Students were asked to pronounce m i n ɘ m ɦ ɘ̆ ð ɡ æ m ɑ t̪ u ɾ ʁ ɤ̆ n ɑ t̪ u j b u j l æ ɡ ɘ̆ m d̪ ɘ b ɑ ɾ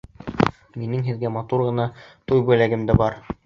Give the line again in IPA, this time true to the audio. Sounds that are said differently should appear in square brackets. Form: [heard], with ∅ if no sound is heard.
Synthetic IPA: m i n ɘ [ŋ] ɦ ɘ̆ ð ɡ æ m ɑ t̪ u ɾ ʁ ɤ̆ n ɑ t̪ u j b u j l æ ɡ ɘ̆ m d̪ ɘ b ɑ ɾ